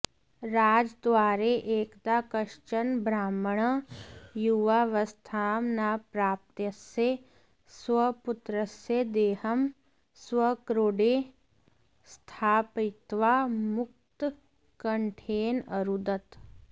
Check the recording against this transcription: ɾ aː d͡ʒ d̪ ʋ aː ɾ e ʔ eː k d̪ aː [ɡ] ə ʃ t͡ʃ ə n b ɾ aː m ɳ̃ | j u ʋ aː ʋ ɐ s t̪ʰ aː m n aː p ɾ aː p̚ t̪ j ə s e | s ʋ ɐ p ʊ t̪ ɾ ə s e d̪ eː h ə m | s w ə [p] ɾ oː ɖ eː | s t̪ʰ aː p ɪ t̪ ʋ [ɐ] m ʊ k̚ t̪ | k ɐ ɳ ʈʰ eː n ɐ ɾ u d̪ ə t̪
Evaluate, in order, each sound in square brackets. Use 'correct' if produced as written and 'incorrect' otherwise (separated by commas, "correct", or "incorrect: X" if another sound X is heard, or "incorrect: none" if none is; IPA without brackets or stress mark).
incorrect: k, incorrect: k, incorrect: a